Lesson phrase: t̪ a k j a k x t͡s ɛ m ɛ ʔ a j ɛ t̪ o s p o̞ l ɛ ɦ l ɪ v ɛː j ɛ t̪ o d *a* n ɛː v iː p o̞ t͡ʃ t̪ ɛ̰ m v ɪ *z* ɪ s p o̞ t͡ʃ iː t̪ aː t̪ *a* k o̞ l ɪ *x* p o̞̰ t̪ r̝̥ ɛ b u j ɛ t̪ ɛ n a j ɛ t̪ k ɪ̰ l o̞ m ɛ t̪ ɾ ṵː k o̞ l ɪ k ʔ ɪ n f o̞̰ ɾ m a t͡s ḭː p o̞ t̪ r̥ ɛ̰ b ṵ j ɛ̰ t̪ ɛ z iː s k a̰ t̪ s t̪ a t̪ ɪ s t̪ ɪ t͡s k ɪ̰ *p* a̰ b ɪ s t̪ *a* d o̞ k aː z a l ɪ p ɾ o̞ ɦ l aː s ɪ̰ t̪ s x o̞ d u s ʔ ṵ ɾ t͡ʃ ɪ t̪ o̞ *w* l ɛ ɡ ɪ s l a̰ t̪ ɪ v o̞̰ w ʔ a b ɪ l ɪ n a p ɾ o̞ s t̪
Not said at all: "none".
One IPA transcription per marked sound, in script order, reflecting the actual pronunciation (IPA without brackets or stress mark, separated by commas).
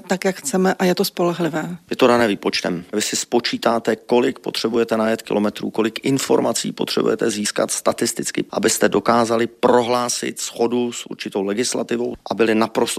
a, s, ɛ, k, ʔ, ɛ, w